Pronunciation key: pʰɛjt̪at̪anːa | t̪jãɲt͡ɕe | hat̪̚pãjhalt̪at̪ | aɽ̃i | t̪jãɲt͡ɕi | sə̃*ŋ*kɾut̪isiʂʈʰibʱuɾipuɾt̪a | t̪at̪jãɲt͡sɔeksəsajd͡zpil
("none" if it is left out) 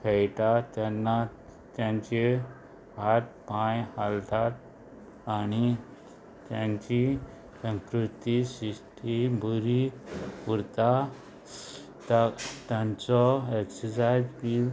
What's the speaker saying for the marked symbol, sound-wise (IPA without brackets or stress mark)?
ŋ